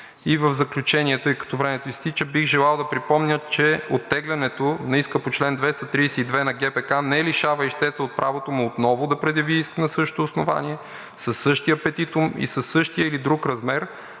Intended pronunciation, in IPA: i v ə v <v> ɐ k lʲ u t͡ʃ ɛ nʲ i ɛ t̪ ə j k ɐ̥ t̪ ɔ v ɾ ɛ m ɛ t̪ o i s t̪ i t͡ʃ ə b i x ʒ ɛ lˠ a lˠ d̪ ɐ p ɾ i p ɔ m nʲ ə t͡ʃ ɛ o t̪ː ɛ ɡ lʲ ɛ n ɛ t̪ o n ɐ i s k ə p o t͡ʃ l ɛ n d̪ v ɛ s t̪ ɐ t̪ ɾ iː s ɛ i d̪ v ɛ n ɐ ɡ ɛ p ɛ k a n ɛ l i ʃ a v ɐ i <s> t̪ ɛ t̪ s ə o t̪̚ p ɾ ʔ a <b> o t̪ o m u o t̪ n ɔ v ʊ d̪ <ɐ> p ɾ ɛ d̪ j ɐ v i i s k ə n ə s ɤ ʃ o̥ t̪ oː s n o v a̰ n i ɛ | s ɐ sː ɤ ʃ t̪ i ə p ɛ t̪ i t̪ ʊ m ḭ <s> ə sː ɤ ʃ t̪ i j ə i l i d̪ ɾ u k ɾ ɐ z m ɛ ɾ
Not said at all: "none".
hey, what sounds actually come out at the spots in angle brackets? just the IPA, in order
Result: z, ʃ, v, ɐ, s

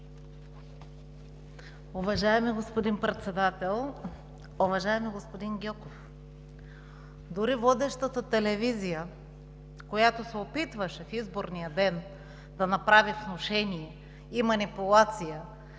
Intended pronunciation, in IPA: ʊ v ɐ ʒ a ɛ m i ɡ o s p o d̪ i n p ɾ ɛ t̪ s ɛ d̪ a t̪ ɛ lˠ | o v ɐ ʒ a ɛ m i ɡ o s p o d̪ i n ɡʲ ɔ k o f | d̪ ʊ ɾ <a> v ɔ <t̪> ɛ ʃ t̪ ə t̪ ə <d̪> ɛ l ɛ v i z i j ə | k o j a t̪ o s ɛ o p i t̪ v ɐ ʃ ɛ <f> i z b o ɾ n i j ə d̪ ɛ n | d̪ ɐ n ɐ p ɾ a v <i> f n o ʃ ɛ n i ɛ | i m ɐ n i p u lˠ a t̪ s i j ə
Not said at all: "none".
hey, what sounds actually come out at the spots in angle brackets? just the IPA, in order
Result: i, d̪, t̪, f, i

